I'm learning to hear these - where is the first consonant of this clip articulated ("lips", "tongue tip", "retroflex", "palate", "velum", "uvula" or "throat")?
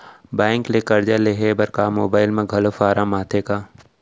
lips